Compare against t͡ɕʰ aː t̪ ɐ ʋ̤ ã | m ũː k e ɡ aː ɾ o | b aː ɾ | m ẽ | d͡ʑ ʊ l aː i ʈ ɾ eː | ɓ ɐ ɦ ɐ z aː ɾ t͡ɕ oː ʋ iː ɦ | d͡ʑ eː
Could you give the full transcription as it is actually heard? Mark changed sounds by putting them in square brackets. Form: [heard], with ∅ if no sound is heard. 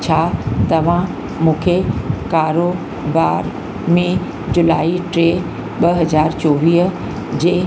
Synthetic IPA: t͡ɕʰ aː t̪ ɐ ʋ̤ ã | m ũː [kʰ] e [k] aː ɾ o | b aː ɾ | m ẽ | d͡ʑ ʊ l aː i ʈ ɾ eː | ɓ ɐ ɦ ɐ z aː ɾ t͡ɕ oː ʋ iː ɦ | d͡ʑ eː

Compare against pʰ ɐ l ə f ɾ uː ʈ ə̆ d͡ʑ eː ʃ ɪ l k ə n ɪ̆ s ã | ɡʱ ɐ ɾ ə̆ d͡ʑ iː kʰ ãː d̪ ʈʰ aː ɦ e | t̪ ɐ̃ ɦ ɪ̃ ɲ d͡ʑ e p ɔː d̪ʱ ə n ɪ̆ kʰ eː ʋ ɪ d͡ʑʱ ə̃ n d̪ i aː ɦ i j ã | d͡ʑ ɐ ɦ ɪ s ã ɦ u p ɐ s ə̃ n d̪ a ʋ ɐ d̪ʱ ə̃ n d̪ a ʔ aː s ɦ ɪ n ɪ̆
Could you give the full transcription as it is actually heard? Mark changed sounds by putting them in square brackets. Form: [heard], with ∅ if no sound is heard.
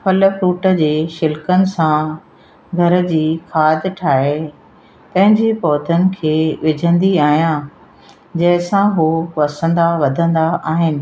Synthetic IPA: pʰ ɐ l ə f ɾ uː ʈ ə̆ d͡ʑ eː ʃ ɪ l k ə n ɪ̆ s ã | ɡʱ ɐ ɾ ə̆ d͡ʑ iː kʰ [aː] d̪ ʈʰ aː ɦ e | t̪ ɐ̃ ɦ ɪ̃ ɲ d͡ʑ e p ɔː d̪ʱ ə n ɪ̆ kʰ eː ʋ ɪ d͡ʑʱ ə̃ n d̪ i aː ɦ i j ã | d͡ʑ ɐ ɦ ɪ s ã ɦ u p ɐ s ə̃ n d̪ a ʋ ɐ d̪ʱ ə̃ n d̪ a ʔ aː [∅] ɦ ɪ n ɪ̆

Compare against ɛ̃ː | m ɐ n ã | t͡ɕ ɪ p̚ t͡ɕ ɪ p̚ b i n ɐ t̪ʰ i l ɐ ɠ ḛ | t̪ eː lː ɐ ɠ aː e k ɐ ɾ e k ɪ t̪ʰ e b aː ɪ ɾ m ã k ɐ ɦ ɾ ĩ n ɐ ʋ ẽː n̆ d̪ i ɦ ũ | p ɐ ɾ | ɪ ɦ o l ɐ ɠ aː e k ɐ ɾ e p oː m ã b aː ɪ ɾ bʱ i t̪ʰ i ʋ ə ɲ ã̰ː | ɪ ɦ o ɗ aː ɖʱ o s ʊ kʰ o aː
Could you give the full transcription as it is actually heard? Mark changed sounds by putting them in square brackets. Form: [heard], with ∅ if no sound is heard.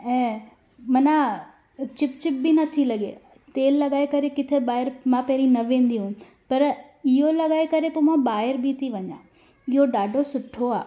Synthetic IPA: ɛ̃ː | m ɐ n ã | t͡ɕ ɪ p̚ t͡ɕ ɪ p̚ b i n ɐ t̪ʰ i l ɐ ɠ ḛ | t̪ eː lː ɐ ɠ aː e k ɐ ɾ e k ɪ t̪ʰ e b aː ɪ ɾ m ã [p] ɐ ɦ ɾ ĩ n ɐ ʋ ẽː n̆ d̪ i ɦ ũ | p ɐ ɾ | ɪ ɦ o l ɐ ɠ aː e k ɐ ɾ e p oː m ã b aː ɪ ɾ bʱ i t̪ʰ i ʋ [ɐ] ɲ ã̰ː | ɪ ɦ o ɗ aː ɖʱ o s ʊ [ʈʰ] o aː

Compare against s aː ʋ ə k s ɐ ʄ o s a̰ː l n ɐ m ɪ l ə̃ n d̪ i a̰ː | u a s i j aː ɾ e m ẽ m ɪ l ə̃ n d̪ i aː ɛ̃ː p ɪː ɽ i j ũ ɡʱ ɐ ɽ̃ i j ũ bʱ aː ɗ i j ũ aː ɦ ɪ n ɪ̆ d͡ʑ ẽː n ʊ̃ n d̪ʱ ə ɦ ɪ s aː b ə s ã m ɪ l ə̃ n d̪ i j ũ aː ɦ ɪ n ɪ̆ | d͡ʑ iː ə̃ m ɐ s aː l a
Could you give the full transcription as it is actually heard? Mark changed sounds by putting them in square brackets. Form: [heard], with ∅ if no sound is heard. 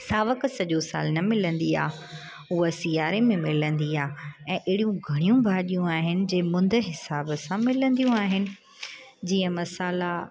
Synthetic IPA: s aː ʋ ə k s ɐ ʄ o s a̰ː l n ɐ m ɪ l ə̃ n d̪ i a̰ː | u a s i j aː ɾ e m ẽ m ɪ l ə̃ n d̪ i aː ɛ̃ː [ʔ] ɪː ɽ i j ũ ɡʱ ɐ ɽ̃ i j ũ bʱ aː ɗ i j ũ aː ɦ ɪ n ɪ̆ d͡ʑ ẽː [m] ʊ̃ n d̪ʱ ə ɦ ɪ s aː b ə s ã m ɪ l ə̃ n d̪ i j ũ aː ɦ ɪ n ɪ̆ | d͡ʑ iː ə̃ m ɐ s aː l a

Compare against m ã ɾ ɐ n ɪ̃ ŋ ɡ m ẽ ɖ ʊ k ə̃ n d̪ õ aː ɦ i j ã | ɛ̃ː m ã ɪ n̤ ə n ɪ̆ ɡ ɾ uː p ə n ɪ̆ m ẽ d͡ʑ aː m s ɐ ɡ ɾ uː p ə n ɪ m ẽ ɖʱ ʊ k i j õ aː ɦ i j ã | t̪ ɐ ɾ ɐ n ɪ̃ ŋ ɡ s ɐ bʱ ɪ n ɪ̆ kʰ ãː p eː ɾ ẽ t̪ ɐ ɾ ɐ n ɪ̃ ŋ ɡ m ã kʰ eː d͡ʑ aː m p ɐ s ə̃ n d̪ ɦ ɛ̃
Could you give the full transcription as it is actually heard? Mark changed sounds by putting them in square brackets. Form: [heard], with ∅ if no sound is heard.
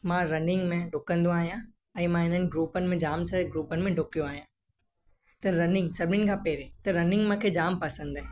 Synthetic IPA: m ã ɾ ɐ n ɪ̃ ŋ ɡ m ẽ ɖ ʊ k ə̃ n d̪ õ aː ɦ i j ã | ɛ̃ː m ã ɪ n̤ ə n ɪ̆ ɡ ɾ uː p ə n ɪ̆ m ẽ d͡ʑ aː m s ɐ ɡ ɾ uː p ə n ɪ m ẽ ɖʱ ʊ k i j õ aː ɦ i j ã | t̪ ɐ ɾ ɐ n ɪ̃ ŋ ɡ s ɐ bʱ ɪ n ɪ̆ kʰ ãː p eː ɾ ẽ t̪ ɐ ɾ ɐ n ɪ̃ ŋ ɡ m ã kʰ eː d͡ʑ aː m p ɐ s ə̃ n d̪ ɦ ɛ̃

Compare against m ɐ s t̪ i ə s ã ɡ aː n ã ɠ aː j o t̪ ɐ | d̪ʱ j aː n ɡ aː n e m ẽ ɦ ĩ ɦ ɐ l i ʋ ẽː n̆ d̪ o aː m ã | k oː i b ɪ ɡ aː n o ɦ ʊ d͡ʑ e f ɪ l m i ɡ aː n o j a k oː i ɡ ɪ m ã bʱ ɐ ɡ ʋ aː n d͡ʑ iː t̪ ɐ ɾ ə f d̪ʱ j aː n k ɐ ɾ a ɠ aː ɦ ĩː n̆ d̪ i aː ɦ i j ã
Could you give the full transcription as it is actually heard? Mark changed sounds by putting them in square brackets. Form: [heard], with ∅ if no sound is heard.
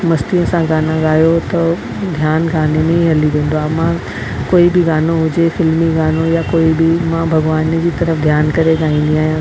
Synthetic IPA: m ɐ s t̪ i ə s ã ɡ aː n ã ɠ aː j o t̪ ɐ | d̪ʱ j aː n ɡ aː n e m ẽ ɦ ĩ ɦ ɐ l i ʋ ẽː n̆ d̪ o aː m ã | k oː i b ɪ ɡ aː n o ɦ ʊ d͡ʑ e f ɪ l m i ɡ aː n o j a k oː i [b] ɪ m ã bʱ ɐ ɡ ʋ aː n d͡ʑ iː t̪ ɐ ɾ ə f d̪ʱ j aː n k ɐ ɾ [e] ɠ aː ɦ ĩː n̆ d̪ i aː ɦ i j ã

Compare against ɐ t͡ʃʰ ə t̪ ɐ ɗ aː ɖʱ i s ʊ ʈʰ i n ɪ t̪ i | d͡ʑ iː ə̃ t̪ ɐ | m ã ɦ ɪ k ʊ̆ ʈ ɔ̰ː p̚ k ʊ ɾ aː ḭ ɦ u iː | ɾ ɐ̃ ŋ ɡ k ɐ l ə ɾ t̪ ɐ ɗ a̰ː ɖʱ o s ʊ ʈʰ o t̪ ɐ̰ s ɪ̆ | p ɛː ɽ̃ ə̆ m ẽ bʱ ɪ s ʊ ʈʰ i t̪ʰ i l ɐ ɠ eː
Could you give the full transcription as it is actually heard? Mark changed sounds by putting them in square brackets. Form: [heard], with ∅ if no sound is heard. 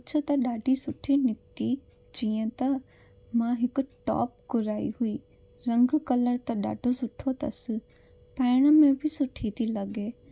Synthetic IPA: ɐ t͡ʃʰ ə t̪ ɐ ɗ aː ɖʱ i s ʊ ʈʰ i n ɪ t̪ i | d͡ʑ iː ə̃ t̪ ɐ | m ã ɦ ɪ k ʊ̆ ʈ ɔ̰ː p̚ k ʊ ɾ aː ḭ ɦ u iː | ɾ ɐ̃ ŋ ɡ k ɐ l ə ɾ t̪ ɐ ɗ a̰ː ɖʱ o s ʊ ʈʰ o t̪ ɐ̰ s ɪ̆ | p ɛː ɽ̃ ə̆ m ẽ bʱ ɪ s ʊ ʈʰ i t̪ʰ i l ɐ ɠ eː

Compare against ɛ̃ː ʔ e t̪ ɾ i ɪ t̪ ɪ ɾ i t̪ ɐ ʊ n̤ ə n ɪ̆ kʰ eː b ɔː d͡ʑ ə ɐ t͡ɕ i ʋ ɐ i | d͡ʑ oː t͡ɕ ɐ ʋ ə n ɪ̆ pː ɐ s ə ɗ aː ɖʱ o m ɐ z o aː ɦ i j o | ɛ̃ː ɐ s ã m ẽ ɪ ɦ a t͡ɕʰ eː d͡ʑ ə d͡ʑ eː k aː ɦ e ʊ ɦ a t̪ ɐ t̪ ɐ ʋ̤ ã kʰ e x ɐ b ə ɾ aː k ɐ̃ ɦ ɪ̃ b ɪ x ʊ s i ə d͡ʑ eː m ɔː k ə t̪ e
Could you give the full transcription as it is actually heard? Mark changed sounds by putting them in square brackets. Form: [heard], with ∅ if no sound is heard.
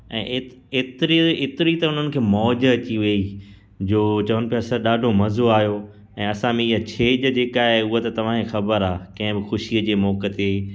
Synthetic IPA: ɛ̃ː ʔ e t̪ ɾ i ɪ t̪ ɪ ɾ i t̪ ɐ ʊ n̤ ə n ɪ̆ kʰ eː [m] ɔː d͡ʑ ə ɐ t͡ɕ i ʋ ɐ i | d͡ʑ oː t͡ɕ ɐ ʋ ə n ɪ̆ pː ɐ s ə ɗ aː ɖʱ o m ɐ z o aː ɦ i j o | ɛ̃ː ɐ s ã m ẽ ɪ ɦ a t͡ɕʰ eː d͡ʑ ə d͡ʑ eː k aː ɦ e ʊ ɦ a t̪ ɐ t̪ ɐ ʋ̤ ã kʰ e x ɐ b ə ɾ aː k ɐ̃ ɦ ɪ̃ b ɪ x ʊ [ʃ] i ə d͡ʑ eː m ɔː k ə t̪ e

